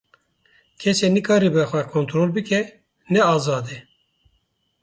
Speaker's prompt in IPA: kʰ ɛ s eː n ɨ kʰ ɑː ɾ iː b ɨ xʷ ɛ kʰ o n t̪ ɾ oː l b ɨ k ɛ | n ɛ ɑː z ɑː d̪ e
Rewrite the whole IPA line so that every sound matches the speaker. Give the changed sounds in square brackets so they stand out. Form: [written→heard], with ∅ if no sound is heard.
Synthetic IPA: kʰ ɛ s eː n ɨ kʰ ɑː ɾ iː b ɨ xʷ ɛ kʰ o n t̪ ɾ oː l b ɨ k ɛ | n ɛ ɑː z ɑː d̪ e